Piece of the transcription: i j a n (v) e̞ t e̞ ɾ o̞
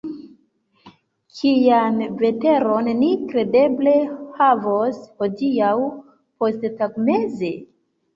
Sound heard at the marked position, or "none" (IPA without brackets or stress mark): v